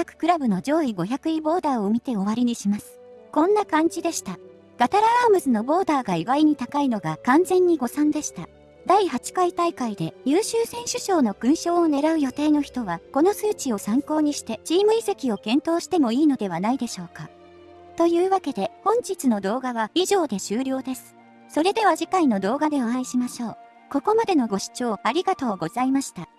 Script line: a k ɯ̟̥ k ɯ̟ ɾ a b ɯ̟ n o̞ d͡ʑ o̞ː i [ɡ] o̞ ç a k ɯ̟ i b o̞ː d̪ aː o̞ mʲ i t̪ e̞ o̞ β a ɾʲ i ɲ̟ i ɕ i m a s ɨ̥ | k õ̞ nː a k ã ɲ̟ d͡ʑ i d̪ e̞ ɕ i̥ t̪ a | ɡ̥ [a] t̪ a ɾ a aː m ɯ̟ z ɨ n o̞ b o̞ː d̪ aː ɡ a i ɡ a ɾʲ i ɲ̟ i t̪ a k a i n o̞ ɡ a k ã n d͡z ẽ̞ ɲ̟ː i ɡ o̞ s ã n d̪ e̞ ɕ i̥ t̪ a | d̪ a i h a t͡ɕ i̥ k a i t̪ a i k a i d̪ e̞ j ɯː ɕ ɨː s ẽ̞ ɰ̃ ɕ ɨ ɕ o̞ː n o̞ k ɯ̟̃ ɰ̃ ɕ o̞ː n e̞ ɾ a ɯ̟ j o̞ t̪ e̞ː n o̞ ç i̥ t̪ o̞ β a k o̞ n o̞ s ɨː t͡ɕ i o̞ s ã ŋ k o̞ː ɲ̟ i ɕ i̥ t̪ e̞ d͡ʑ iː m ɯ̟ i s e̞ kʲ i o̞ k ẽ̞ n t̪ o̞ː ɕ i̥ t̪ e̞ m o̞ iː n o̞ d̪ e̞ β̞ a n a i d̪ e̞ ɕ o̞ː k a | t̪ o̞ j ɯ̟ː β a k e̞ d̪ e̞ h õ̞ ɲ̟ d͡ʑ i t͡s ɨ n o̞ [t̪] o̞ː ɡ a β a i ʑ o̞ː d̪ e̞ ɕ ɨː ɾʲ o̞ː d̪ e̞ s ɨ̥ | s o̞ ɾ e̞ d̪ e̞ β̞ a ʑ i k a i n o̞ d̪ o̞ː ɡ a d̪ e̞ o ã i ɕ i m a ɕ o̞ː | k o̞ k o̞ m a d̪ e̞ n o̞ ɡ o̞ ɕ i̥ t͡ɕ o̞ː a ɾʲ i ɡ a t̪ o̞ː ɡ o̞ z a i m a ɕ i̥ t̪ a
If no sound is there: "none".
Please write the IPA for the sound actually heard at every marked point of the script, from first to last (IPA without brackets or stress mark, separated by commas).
ɡ, a, d̪